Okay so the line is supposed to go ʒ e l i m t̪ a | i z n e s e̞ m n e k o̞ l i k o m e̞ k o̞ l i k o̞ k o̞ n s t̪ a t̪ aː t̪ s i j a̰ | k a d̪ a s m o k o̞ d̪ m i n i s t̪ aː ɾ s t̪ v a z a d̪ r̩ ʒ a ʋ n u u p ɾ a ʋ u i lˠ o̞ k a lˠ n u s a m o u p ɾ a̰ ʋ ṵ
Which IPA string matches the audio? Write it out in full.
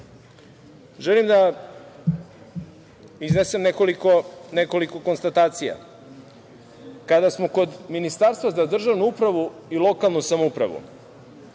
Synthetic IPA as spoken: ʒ e l i m d̪ a | i z n e s e̞ m n e k o̞ l i k o n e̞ k o̞ l i k o̞ k o̞ n s t̪ a t̪ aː t̪ s i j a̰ | k a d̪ a s m o k o̞ d̪ m i n i s t̪ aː ɾ s t̪ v a z a d̪ r̩ ʒ a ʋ n u u p ɾ a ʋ u i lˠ o̞ k a lˠ n u s a m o u p ɾ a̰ ʋ ṵ